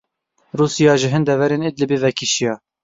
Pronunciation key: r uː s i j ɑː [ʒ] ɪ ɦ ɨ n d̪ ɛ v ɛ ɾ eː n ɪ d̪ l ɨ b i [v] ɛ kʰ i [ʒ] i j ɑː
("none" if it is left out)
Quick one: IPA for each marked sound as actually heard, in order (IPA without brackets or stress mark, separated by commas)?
ʒ, v, ʃ